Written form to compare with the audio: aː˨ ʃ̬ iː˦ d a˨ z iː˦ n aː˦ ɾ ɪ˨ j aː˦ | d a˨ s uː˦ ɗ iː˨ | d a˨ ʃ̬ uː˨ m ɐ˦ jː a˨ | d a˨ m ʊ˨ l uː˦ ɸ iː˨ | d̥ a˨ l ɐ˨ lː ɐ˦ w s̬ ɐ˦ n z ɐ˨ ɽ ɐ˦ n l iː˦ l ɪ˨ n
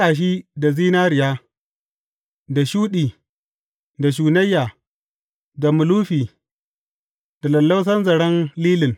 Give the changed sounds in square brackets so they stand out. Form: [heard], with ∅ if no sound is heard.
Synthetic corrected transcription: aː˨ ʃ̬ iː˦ d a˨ z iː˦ n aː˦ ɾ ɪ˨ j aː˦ | d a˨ [ʃ] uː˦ ɗ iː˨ | d a˨ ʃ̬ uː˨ [n] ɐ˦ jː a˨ | d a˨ m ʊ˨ l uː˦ ɸ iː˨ | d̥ a˨ l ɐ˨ lː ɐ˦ w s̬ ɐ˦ n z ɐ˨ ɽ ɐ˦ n l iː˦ l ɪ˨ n

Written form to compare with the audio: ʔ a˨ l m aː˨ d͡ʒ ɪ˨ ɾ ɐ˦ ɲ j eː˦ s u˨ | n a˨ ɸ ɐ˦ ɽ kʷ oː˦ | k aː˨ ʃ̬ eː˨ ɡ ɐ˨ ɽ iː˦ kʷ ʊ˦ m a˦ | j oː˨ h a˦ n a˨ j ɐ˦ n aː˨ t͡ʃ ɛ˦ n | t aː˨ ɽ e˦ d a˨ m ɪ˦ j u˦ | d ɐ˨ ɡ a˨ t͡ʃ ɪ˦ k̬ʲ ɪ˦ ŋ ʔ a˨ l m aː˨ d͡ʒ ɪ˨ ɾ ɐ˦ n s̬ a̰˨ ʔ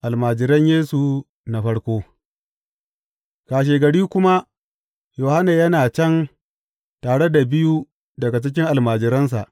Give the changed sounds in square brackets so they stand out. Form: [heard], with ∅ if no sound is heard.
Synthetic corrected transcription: ʔ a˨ l m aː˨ d͡ʒ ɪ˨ ɾ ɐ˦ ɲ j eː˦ s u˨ | n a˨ ɸ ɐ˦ ɽ kʷ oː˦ | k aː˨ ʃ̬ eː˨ ɡ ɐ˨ ɽ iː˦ kʷ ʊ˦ m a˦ | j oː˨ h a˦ n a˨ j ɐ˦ n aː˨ t͡ʃ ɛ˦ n | t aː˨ ɽ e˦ d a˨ [b] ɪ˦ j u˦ | d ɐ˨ ɡ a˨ t͡ʃ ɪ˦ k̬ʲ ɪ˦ ŋ ʔ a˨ l m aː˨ d͡ʒ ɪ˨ ɾ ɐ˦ n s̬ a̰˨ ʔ

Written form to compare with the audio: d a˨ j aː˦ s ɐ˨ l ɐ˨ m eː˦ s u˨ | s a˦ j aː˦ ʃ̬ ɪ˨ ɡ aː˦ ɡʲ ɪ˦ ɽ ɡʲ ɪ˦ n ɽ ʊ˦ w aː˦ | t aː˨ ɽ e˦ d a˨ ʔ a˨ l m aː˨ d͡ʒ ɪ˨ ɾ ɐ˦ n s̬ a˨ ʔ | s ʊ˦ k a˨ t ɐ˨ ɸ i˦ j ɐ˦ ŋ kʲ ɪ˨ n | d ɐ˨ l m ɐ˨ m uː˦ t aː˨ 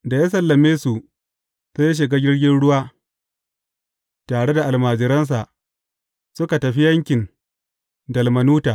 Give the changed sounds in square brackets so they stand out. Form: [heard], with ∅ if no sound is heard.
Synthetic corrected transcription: d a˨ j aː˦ s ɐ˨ [lː] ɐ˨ m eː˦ s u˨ | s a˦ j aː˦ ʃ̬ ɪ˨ ɡ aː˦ ɡʲ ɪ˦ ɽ ɡʲ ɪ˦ n ɽ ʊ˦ w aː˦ | t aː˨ ɽ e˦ d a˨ ʔ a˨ l m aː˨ d͡ʒ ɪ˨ ɾ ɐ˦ n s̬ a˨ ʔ | s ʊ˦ k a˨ t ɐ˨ ɸ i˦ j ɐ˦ ŋ kʲ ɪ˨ n | d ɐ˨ l m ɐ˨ [n] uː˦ t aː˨

